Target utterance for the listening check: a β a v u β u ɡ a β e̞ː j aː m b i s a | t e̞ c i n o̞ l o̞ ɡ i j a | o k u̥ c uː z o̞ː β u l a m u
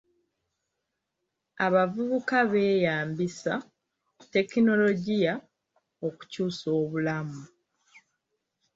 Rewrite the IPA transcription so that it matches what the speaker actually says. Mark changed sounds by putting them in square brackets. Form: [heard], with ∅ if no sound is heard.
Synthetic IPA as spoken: a β a v u β u [k] a β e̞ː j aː m b i s a | t e̞ [k] i n o̞ l o̞ [ɟ] i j a | o k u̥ c uː [s] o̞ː β u l a m u

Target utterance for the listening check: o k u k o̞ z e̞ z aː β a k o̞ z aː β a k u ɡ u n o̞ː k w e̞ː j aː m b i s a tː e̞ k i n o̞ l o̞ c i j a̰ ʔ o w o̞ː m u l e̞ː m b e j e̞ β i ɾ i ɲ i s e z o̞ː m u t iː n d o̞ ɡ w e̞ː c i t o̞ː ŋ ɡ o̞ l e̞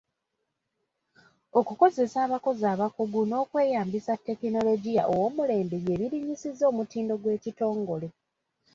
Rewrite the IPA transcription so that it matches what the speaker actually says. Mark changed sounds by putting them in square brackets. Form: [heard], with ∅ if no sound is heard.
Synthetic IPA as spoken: o k u k o̞ z e̞ [s] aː β a k o̞ z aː β a k u ɡ u n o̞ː k w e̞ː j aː m b i s a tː e̞ k i n o̞ l o̞ [ɟ] i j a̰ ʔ o w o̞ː m u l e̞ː m b e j e̞ β i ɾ i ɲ i s [i] z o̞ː m u t iː n d o̞ ɡ w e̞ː c i t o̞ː ŋ ɡ o̞ l e̞

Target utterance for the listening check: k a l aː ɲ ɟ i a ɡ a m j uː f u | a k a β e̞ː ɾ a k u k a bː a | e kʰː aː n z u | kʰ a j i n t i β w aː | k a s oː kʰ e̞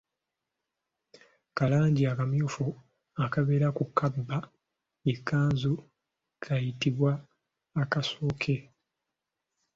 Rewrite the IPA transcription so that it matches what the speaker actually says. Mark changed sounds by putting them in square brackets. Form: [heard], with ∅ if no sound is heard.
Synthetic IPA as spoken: k a l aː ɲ ɟ i a [k] a m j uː f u | a k a β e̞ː ɾ a k u k a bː a | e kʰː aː n z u | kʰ a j i [∅] t i β w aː | k a s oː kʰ e̞

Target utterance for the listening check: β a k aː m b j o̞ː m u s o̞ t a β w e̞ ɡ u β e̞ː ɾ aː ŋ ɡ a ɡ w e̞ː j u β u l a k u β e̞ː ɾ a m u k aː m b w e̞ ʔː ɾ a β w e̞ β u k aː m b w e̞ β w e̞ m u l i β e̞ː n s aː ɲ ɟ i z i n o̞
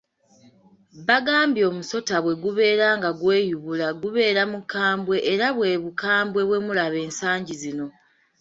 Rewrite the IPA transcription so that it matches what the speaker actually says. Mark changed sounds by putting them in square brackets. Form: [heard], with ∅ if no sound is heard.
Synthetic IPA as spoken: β a [ɡ] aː m b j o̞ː m u s o̞ t a β w e̞ ɡ u β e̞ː ɾ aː ŋ ɡ a ɡ w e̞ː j u β u l a [ɡ] u β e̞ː ɾ a m u k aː m b w e̞ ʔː ɾ a β w e̞ β u k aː m b w e̞ β w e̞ m u l [a] β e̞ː n s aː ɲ ɟ i z i n o̞

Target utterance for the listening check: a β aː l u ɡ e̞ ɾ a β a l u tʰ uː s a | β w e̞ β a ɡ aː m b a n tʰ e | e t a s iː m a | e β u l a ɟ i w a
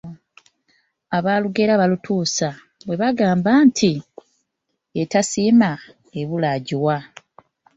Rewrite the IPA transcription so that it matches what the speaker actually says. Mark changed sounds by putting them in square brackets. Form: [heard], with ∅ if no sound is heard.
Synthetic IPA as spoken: a β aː l u ɡ e̞ ɾ a β a l u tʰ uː s a | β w e̞ β a ɡ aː m b a n tʰ [i] | e t a s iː m a | e β u l a ɟ i w a

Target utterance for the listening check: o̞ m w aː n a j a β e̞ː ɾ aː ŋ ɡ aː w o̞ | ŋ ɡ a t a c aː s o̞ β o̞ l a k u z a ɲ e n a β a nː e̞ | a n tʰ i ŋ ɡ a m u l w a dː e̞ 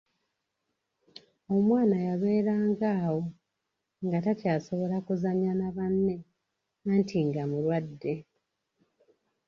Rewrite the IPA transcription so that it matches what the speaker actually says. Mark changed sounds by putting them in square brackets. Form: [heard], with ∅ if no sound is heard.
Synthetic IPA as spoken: o̞ m w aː n a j a β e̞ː ɾ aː ŋ ɡ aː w o̞ | ŋ ɡ a t a c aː s o̞ β o̞ l a k u z a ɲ [a] n a β a nː e̞ | a n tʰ i ŋ ɡ a m u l w a dː e̞

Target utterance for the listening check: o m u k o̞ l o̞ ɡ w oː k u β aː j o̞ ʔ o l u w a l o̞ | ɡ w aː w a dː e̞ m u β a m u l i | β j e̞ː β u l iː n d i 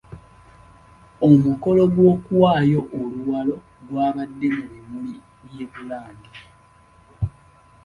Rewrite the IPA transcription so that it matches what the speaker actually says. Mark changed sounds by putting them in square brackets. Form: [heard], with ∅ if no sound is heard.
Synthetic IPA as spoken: o m u k o̞ l o̞ ɡ w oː k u [w] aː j o̞ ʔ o l u w a l o̞ | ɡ w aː [β] a dː e̞ m u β [i] m u l i | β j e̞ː β u l [aː] n d i

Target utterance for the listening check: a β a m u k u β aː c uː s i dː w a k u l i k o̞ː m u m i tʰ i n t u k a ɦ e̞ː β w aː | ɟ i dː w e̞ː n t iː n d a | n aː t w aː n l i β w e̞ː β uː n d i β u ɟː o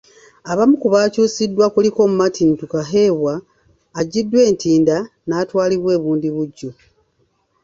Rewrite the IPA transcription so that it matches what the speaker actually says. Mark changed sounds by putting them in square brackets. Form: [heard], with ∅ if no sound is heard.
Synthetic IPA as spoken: a β a m u k u β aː c uː s i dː w a k u l i k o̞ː m u m [a] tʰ i n t u k a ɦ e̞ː β w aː | ɟ i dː w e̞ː n t iː n d a | n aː t w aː [∅] l i β w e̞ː β uː n d i β u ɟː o

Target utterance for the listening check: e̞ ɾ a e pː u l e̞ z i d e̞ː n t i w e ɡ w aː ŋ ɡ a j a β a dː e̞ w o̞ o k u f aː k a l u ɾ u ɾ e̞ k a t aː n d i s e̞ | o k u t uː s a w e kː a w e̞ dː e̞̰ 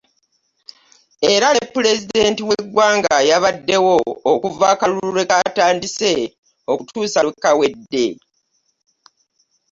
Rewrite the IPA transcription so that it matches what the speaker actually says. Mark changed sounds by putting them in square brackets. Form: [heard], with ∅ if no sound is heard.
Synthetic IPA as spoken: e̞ ɾ a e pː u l e̞ z i d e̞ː n t i w e ɡ w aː ŋ ɡ a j a β a dː e̞ w o̞ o k u [v] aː k a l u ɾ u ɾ e̞ k a t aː n d i s e̞ | o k u t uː s a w e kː a w e̞ dː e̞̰

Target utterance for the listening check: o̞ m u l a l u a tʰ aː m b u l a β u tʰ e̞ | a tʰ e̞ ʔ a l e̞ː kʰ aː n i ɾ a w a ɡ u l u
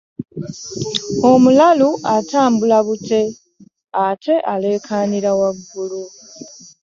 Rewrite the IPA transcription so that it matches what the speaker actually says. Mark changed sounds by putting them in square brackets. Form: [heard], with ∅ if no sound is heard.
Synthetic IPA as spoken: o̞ m u l a l u a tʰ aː m b u l a β u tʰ e̞ | a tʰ e̞ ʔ a l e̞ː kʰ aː n i ɾ a w a [ɡː] u l u

